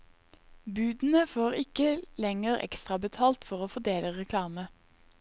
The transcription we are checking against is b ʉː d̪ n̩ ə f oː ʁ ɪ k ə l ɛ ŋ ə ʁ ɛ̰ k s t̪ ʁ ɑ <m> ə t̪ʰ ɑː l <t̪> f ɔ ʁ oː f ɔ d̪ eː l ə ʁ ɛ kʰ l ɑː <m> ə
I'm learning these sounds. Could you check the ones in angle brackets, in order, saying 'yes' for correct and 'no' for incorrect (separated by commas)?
no, yes, yes